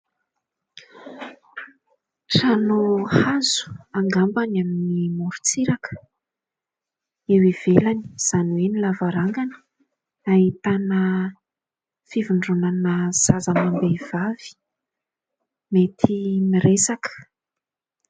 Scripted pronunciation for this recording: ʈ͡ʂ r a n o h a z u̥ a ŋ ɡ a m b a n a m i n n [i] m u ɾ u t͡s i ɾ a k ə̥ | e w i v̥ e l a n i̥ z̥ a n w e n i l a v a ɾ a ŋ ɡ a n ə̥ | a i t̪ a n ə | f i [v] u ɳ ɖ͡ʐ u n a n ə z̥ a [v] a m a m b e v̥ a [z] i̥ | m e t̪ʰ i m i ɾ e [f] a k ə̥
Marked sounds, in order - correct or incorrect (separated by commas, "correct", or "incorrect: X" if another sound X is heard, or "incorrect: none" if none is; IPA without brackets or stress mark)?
correct, correct, incorrect: z, incorrect: v, incorrect: s